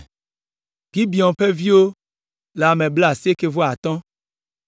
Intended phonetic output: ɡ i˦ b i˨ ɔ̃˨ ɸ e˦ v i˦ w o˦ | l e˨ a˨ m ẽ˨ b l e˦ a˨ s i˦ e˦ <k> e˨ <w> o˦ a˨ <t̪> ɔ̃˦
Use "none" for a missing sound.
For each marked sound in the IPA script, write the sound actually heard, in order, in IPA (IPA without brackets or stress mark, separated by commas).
k, v, t̪